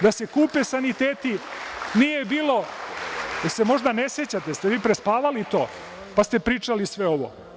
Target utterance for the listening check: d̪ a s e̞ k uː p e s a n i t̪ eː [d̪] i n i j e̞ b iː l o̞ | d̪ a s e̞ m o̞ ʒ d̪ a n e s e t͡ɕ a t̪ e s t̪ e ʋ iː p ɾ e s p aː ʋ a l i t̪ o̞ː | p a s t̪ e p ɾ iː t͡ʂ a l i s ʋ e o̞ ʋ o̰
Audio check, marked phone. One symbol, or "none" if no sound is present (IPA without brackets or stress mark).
t̪